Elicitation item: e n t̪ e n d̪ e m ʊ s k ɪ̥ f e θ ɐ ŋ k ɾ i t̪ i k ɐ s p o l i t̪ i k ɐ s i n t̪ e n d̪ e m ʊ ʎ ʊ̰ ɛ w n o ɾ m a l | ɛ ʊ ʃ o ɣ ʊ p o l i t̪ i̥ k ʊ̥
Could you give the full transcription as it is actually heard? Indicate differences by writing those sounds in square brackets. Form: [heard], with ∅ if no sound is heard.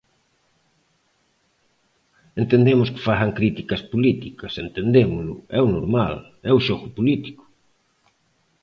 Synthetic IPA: e n t̪ e n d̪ e m ʊ s k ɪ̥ f [a] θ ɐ ŋ k ɾ i t̪ i k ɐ s p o l i t̪ i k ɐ s [e] n t̪ e n d̪ e m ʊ [l] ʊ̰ ɛ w n o ɾ m a l | ɛ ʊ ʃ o ɣ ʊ p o l i t̪ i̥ k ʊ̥